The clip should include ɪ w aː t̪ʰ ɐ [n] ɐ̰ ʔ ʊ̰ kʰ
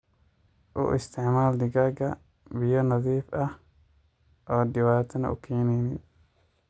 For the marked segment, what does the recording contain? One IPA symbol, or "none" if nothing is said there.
n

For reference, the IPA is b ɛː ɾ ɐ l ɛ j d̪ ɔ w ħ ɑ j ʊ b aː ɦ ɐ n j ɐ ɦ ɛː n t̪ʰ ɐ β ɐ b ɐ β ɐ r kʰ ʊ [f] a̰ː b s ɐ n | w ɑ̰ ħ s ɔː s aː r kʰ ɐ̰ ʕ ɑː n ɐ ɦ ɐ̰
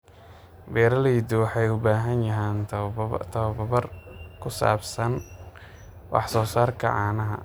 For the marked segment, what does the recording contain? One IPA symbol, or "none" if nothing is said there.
s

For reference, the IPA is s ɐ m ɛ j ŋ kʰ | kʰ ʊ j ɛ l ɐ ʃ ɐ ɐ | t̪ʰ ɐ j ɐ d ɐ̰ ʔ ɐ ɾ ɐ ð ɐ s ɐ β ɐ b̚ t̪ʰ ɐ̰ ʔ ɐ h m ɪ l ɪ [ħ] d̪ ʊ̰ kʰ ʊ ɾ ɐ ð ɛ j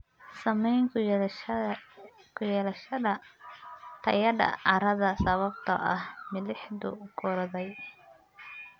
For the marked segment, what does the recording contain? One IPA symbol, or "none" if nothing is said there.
ħ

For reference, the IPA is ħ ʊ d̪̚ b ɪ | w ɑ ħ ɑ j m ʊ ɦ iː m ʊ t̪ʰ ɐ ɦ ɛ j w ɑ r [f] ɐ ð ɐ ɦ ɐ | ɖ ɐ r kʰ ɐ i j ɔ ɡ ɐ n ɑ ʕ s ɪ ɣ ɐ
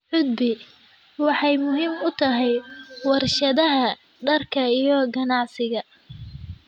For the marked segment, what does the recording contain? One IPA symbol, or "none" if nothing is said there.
ʃ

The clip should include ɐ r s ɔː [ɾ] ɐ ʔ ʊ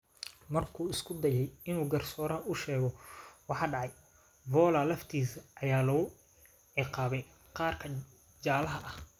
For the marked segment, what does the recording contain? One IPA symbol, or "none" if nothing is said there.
ɾ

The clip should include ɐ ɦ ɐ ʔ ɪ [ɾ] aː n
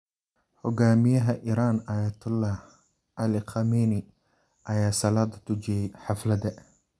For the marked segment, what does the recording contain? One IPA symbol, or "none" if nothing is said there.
ɾ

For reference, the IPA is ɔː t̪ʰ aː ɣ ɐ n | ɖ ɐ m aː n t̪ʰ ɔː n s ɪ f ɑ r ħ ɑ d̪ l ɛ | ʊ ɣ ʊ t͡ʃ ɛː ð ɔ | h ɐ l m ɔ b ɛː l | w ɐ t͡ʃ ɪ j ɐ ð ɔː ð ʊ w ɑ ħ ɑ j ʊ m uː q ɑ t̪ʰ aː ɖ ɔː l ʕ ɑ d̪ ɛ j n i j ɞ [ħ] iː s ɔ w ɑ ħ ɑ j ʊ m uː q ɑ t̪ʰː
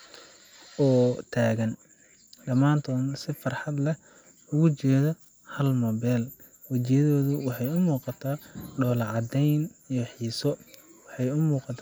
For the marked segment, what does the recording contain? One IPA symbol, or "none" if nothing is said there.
ħ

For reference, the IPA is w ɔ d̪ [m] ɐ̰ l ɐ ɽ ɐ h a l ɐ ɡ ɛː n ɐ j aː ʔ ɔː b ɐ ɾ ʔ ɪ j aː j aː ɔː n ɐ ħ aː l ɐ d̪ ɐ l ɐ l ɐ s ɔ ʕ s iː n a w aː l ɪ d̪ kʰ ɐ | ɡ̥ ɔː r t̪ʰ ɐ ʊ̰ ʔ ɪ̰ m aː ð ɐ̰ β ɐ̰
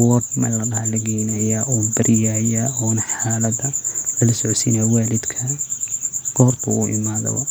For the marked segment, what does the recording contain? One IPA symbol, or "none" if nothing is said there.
m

